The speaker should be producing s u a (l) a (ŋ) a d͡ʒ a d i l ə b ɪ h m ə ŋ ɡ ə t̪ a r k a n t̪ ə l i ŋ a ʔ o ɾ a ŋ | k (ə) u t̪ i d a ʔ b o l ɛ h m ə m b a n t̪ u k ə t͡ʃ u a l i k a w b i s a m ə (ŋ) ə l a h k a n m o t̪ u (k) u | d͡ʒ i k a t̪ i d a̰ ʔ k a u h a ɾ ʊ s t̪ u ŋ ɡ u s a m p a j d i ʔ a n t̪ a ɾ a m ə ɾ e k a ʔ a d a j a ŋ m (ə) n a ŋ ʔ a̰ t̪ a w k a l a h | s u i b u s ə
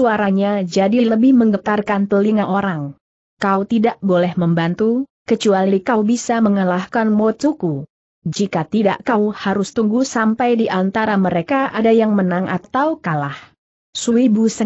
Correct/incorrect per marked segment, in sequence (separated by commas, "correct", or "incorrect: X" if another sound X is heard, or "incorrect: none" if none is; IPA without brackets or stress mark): incorrect: ɾ, incorrect: ɲ, incorrect: a, correct, correct, correct